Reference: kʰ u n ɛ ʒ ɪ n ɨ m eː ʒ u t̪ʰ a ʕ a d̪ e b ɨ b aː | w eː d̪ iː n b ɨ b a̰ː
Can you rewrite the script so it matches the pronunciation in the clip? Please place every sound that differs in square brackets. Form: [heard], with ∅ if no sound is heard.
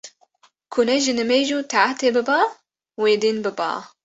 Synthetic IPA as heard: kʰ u n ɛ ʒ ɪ n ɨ m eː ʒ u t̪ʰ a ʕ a [t̪] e b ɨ b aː | w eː d̪ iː n b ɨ b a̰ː